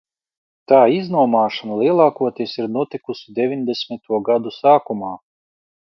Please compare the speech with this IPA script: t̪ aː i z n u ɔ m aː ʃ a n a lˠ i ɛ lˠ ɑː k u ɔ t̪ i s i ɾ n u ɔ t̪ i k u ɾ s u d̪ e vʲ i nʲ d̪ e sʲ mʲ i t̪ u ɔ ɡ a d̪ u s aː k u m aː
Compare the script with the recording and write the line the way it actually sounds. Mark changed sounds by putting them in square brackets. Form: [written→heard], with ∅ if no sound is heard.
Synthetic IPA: t̪ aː i z n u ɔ m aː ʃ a n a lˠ i ɛ lˠ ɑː k u ɔ t̪ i s i ɾ n u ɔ t̪ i k u [ɾ→∅] s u d̪ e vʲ i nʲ d̪ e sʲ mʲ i t̪ u ɔ ɡ a d̪ u s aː k u m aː